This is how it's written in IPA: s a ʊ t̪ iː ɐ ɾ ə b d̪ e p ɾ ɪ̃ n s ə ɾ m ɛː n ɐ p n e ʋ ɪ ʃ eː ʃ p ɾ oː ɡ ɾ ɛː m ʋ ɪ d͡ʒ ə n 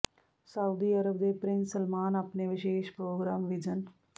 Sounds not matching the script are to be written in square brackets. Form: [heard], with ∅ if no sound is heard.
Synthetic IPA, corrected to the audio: s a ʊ [d̪] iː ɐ ɾ ə b d̪ e p ɾ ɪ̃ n s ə [l] m [aː] n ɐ p n e ʋ ɪ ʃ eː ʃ p ɾ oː ɡ ɾ [aː] m ʋ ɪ d͡ʒ ə n